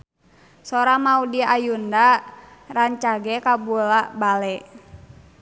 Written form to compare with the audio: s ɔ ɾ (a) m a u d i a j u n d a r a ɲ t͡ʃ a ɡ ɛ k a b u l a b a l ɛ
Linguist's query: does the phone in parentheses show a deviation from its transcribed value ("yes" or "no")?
no